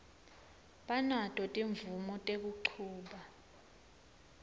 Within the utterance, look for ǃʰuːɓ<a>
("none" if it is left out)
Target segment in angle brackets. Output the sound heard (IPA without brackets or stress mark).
a